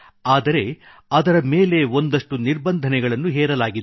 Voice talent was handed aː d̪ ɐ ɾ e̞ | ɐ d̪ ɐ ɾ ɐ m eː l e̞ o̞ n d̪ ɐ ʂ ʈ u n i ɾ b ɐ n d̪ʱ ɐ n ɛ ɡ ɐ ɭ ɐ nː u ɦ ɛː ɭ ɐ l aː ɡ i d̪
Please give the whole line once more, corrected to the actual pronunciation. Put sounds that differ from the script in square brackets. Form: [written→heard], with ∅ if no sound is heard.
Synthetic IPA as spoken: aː d̪ ɐ ɾ e̞ | ɐ d̪ ɐ ɾ ɐ m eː l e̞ o̞ n d̪ ɐ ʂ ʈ u n i ɾ b ɐ n d̪ʱ ɐ n ɛ ɡ ɐ ɭ ɐ nː u ɦ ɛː [ɭ→ɾ] ɐ l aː ɡ i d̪